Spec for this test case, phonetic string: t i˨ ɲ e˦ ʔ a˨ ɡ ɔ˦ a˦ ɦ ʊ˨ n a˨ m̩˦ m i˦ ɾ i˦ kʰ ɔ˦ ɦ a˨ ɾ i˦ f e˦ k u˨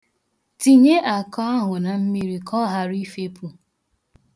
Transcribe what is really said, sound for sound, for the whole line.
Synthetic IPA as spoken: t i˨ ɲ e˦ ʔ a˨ k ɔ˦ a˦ ɦ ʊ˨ n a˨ m̩˦ m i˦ ɾ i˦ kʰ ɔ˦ ɦ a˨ ɾ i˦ f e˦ p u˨